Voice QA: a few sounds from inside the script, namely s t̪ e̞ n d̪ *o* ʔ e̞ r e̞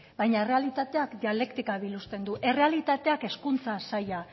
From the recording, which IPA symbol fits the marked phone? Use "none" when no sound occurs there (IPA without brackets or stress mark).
u